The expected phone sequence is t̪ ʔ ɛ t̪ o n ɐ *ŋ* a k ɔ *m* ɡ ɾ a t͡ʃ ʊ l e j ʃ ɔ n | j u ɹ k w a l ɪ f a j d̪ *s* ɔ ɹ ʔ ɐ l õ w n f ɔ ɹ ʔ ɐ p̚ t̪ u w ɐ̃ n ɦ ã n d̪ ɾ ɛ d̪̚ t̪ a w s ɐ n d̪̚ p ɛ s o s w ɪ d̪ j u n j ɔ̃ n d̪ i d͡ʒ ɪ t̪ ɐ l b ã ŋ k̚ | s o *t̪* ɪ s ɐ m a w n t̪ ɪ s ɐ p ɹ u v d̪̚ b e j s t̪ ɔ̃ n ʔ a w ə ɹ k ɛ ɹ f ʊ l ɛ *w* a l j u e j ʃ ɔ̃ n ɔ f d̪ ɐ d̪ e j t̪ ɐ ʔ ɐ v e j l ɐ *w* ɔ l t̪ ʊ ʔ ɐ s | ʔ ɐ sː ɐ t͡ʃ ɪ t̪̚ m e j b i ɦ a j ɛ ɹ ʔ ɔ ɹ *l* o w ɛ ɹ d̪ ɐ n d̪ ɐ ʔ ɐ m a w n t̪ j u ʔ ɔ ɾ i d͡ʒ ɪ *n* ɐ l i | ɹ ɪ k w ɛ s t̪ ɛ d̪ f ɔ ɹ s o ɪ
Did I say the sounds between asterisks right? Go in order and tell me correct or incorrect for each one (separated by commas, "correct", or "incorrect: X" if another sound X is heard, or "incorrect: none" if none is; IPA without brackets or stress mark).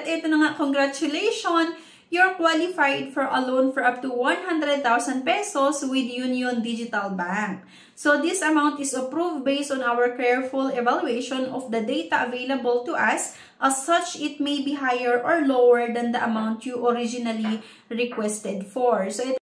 correct, incorrect: ŋ, incorrect: f, incorrect: d̪, incorrect: v, incorrect: b, correct, correct